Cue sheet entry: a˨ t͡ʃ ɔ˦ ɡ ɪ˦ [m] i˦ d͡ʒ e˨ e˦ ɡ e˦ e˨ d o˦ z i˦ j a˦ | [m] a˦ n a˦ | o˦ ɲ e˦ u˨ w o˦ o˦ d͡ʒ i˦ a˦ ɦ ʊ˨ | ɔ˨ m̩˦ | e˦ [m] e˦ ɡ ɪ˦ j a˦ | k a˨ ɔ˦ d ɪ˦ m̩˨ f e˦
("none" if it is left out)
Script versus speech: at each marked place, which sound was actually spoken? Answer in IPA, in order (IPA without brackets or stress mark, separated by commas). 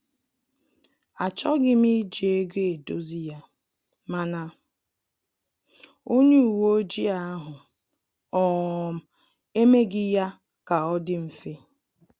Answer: m, m, m